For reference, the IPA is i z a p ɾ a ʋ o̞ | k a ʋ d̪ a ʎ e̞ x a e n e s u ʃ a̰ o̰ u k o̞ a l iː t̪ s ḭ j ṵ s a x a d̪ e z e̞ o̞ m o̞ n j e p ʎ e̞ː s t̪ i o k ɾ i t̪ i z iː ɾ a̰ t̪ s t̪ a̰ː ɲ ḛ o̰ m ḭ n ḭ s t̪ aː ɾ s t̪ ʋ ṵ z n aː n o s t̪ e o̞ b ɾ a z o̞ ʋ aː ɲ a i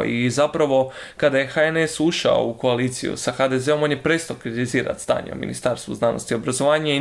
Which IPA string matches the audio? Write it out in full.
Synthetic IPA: i z a p ɾ a ʋ o̞ | k a d̪ a j e̞ x a e n e s u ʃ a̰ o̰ u k o̞ a l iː t̪ s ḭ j ṵ s a x a d̪ e z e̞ o̞ m o̞ n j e p ɾ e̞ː s t̪ a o k ɾ i t̪ i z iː ɾ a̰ t̪ s t̪ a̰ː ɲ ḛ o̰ m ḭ n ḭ s t̪ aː ɾ s t̪ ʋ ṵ z n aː n o s t̪ i o̞ b ɾ a z o̞ ʋ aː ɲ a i